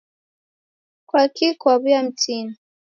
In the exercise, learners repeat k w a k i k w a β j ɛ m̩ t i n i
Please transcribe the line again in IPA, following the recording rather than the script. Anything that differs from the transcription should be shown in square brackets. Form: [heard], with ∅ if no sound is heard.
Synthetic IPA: k w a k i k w a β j [a] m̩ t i n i